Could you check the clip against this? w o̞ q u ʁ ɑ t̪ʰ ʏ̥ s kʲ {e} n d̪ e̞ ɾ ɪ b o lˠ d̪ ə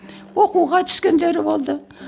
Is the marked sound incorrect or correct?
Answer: correct